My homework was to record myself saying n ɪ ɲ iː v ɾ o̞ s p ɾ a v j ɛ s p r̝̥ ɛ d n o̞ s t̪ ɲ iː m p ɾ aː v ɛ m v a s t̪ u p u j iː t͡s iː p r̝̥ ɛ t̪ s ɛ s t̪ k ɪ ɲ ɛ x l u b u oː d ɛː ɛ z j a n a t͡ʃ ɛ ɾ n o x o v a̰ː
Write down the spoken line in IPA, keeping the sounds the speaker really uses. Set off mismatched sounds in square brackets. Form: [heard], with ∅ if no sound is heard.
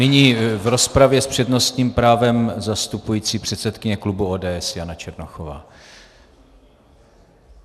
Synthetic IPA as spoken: n ɪ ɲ iː v ɾ o̞ s p ɾ a v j ɛ s p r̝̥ ɛ d n o̞ s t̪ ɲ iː m p ɾ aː v ɛ m [z] a s t̪ u p u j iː t͡s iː p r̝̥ ɛ t̪ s ɛ [∅] t̪ k ɪ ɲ ɛ [k] l u b u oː d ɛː ɛ [s] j a n a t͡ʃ ɛ ɾ n o x o v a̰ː